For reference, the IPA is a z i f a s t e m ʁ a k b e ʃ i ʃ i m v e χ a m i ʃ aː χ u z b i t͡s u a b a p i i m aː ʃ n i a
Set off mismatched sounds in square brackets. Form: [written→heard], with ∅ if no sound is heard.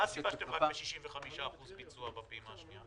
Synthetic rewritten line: a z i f a [s→ʃ] t e m ʁ a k b e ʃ i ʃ i m v e χ a m i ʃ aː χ u z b i t͡s u a b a p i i m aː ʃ n i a